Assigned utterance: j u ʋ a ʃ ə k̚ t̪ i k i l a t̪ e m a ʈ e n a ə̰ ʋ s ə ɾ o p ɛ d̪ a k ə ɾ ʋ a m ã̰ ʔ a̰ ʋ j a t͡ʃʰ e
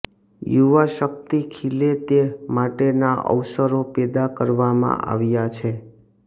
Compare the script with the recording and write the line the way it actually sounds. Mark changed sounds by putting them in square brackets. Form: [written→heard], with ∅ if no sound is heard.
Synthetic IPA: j u ʋ a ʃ ə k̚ t̪ i [k→kʰ] i l [a→e] t̪ e m a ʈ e n a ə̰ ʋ s ə ɾ o p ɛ d̪ a k ə ɾ ʋ a m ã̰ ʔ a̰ ʋ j a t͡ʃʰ e